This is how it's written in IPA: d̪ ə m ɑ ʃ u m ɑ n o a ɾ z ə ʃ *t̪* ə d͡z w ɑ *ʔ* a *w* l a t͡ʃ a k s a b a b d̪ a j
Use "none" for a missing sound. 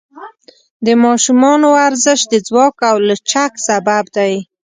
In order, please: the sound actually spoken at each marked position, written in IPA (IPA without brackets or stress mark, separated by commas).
d̪, k, w